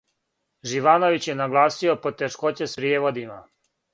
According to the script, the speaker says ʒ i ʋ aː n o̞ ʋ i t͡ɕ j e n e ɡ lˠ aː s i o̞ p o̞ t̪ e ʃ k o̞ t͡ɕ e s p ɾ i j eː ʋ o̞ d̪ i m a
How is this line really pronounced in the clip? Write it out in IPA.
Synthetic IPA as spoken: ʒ i ʋ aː n o̞ ʋ i t͡ɕ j e n a ɡ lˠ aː s i o̞ p o̞ t̪ e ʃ k o̞ t͡ɕ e s p ɾ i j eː ʋ o̞ d̪ i m a